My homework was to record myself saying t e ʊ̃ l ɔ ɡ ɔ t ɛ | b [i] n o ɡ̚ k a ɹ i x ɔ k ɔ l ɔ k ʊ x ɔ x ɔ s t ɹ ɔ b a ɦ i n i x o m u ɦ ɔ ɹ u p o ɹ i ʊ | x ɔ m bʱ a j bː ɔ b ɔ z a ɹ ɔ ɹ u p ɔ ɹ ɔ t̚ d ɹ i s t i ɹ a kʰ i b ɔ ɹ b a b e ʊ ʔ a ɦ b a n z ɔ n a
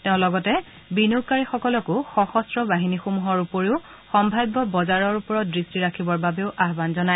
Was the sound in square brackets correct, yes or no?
yes